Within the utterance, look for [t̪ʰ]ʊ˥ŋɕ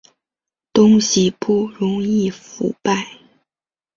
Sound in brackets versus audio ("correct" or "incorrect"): incorrect